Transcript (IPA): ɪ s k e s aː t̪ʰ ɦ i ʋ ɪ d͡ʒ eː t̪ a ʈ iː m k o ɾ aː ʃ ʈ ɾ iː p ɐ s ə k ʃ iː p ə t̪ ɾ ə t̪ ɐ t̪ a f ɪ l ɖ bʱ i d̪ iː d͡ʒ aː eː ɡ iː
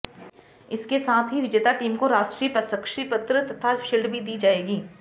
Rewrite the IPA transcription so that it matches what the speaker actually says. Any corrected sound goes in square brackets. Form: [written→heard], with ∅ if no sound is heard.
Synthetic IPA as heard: ɪ s k e s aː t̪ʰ ɦ i ʋ ɪ d͡ʒ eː t̪ a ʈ iː m k o ɾ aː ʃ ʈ ɾ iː p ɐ s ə k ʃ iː p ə t̪ ɾ ə t̪ ɐ [t̪→t̪ʰ] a [f→ʃ] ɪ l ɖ bʱ i d̪ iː d͡ʒ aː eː ɡ iː